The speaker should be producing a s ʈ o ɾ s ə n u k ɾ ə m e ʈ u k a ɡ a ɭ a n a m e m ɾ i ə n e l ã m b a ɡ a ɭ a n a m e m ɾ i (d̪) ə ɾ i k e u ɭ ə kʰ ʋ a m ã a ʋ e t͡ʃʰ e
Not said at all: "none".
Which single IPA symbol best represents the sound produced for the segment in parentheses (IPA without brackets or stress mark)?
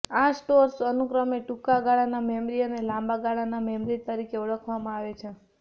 t̪